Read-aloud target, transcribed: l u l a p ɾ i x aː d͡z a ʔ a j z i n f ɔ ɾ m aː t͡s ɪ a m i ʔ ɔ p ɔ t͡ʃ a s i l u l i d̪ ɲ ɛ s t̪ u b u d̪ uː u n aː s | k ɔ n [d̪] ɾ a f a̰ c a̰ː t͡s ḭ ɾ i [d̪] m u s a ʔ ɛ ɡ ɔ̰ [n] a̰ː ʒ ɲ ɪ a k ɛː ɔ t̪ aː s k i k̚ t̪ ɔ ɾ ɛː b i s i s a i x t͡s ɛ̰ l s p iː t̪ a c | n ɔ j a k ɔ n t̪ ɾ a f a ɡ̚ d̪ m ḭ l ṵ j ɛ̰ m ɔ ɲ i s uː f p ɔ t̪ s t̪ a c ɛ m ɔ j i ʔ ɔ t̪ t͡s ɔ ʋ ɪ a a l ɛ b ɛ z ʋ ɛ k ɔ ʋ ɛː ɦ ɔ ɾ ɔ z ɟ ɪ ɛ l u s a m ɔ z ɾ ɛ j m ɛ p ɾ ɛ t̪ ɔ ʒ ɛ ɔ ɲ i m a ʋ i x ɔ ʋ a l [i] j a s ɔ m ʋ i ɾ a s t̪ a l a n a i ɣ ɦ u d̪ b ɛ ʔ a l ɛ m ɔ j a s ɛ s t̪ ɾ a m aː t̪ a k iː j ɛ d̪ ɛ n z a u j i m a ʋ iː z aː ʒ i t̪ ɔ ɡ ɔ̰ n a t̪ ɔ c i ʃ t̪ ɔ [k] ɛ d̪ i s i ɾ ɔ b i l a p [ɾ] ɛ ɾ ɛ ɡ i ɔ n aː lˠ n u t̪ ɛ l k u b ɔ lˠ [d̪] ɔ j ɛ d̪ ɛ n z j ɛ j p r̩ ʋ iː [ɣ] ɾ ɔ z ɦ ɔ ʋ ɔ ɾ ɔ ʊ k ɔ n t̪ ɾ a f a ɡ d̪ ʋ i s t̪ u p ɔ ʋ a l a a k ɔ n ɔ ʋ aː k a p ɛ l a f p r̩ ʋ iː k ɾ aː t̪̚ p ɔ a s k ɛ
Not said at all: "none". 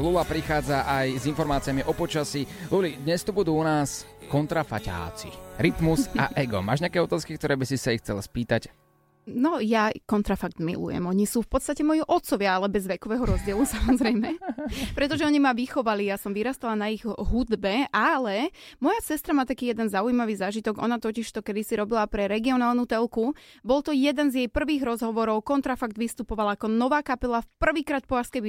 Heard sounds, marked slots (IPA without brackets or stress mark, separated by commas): t̪, t̪, m, i, k, ɾ, t̪, ɣ